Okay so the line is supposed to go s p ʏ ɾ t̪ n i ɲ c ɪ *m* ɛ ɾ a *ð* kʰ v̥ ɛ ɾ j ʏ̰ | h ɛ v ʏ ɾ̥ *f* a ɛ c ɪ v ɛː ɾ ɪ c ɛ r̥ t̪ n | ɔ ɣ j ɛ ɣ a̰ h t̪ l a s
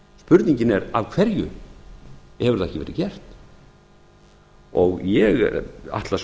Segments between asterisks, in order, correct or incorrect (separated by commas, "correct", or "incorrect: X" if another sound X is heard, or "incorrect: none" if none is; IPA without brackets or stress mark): incorrect: n, incorrect: v, incorrect: θ